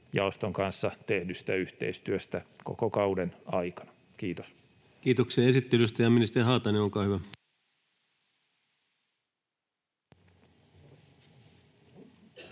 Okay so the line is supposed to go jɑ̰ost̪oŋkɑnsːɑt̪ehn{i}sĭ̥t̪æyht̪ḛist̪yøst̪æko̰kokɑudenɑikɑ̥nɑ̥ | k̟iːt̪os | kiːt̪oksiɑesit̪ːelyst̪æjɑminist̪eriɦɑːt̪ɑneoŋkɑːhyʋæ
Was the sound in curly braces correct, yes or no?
no